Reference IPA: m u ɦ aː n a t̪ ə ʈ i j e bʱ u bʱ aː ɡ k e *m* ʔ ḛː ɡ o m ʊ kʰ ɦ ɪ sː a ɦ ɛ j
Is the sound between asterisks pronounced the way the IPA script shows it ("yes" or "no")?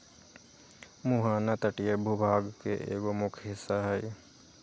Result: no